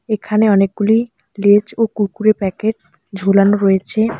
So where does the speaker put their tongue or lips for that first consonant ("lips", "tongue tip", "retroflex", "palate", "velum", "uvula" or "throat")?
velum